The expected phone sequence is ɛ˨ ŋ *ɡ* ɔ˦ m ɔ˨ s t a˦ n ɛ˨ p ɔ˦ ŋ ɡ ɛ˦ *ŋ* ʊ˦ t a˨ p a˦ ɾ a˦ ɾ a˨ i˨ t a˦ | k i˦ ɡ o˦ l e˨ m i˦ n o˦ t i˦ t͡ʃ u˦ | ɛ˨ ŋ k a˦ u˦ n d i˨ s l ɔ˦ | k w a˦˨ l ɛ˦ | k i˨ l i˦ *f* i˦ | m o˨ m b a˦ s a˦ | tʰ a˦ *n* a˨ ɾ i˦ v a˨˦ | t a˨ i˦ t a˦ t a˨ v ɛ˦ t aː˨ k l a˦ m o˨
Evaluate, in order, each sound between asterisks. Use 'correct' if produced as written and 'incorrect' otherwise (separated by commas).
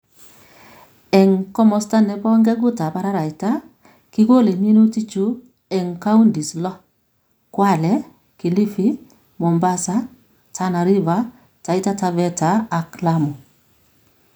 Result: incorrect, incorrect, correct, correct